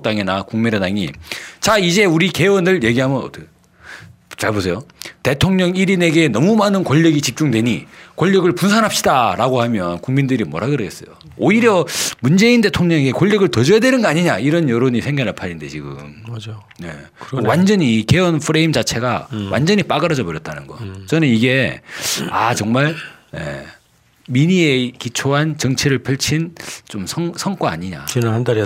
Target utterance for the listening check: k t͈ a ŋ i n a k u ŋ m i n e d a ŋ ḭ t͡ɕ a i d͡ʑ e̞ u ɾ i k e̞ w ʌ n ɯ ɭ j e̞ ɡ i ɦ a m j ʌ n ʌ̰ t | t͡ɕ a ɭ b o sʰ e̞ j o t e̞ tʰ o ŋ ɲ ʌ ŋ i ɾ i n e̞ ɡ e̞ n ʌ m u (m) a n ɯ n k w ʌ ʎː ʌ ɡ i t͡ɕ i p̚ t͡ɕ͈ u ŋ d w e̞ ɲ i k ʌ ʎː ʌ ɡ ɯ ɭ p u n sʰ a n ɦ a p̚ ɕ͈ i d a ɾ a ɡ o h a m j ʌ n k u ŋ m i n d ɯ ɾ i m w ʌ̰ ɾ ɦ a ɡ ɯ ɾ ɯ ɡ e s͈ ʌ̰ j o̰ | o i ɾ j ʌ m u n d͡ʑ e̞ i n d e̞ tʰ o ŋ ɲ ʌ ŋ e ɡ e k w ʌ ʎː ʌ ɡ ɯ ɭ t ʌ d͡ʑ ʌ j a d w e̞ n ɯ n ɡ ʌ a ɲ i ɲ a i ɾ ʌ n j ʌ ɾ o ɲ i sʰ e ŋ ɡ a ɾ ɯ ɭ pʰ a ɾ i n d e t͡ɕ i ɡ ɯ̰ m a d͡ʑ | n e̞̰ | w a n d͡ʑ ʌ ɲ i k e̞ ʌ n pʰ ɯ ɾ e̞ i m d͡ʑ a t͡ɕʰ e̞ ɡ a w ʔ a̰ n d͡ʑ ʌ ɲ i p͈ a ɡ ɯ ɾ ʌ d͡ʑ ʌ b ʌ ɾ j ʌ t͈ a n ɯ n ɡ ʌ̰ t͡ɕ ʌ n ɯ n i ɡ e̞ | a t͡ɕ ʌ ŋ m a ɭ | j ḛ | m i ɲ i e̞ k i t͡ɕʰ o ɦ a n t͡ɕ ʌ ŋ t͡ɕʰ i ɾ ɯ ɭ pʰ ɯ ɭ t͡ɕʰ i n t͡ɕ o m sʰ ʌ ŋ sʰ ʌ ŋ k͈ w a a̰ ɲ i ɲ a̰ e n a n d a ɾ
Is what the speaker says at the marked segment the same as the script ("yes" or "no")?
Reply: yes